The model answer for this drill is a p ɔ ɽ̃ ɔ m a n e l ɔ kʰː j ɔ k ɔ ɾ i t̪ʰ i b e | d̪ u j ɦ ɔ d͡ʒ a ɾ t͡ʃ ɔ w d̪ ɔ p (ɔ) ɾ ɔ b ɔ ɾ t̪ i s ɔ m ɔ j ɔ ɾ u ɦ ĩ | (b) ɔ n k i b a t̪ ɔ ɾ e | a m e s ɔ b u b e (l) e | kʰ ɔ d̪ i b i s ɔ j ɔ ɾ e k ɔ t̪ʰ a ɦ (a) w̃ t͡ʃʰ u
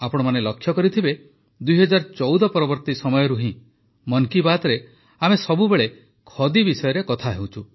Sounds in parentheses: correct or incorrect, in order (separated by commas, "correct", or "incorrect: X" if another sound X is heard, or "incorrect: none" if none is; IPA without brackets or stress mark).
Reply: correct, incorrect: m, incorrect: ɭ, incorrect: e